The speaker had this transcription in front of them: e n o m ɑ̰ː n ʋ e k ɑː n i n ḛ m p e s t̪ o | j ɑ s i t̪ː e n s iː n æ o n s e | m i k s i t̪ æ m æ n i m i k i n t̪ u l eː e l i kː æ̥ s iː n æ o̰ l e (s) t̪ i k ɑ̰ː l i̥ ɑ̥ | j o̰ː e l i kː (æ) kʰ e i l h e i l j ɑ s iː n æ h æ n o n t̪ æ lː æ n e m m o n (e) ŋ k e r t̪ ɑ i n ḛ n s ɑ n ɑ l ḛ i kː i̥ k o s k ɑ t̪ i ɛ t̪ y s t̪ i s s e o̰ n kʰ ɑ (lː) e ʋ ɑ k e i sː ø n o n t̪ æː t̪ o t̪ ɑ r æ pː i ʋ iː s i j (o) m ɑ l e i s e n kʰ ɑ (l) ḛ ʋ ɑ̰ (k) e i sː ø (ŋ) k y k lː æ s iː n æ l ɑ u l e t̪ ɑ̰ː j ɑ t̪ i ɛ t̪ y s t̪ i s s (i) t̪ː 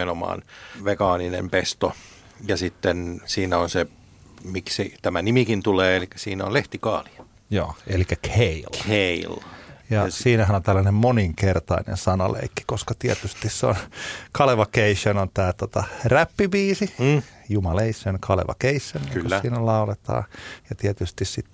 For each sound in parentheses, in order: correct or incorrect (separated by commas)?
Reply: incorrect, correct, incorrect, incorrect, incorrect, correct, correct, incorrect, correct